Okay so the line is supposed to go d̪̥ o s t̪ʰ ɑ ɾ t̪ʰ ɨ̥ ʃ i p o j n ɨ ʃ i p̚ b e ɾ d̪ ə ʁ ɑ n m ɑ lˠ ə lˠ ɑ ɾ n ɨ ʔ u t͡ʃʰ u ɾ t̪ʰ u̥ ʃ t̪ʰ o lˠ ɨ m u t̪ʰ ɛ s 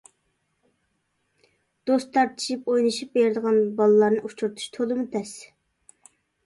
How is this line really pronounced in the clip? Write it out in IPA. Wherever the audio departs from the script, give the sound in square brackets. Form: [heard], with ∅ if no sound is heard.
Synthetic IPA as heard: d̪̥ o s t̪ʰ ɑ ɾ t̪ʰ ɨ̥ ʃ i p o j n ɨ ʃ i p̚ b e ɾ d̪ ə ʁ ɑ n [b] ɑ lˠ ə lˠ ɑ ɾ n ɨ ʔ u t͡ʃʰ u ɾ t̪ʰ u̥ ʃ t̪ʰ o lˠ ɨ m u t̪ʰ ɛ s